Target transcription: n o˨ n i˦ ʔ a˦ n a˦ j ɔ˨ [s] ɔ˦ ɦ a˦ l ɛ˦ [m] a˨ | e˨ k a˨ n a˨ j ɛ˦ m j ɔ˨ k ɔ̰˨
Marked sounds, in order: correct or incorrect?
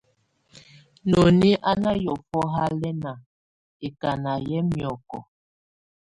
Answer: incorrect: f, incorrect: n

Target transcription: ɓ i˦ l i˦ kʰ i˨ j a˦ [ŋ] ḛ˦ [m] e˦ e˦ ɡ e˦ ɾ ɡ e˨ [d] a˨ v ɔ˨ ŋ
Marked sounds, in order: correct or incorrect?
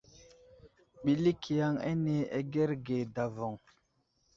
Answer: correct, incorrect: n, correct

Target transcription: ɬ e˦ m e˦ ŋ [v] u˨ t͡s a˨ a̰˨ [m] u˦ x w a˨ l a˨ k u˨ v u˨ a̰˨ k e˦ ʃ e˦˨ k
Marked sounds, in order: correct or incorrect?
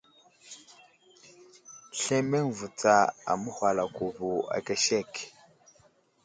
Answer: correct, correct

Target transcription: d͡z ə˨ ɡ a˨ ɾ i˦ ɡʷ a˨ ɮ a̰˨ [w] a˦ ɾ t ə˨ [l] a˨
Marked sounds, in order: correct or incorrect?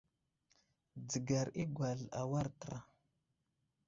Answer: correct, incorrect: ɾ

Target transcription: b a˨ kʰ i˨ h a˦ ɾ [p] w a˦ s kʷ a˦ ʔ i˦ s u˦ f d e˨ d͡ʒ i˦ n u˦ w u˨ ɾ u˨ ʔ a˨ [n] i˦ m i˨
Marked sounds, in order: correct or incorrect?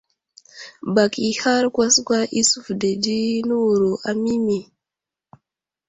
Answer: incorrect: k, incorrect: m

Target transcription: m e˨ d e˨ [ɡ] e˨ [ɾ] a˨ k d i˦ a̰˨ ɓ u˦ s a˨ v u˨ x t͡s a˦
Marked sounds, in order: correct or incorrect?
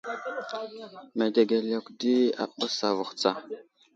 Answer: correct, incorrect: l

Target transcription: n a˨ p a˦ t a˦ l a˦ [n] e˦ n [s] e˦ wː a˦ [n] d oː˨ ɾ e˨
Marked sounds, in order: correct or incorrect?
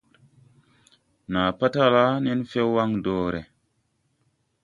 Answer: correct, incorrect: f, incorrect: ŋ

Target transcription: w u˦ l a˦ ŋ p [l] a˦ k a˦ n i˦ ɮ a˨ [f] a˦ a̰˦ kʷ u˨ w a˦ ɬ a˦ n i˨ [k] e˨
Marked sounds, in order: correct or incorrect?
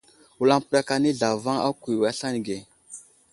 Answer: incorrect: ɾ, incorrect: v, incorrect: ɡ

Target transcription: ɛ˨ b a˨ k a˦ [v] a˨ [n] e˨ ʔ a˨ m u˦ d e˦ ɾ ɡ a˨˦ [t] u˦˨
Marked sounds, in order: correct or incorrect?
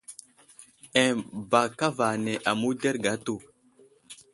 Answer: correct, correct, correct

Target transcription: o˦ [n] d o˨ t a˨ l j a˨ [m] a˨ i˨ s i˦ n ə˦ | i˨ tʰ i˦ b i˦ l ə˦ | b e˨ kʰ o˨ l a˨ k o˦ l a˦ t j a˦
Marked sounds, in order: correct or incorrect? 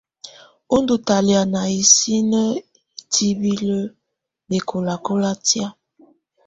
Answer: correct, incorrect: n

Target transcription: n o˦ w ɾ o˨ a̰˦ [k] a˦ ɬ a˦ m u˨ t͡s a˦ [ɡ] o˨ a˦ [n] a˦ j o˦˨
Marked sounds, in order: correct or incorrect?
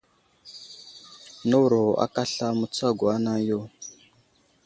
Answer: correct, correct, correct

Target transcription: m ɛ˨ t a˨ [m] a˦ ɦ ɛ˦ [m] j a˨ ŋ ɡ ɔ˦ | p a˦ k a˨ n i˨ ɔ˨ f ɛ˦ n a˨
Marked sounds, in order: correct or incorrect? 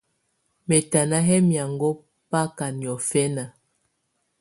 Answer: incorrect: n, correct

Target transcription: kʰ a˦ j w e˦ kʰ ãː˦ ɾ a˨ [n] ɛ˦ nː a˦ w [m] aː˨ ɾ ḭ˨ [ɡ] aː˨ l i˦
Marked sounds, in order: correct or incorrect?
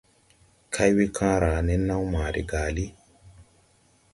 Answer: correct, correct, correct

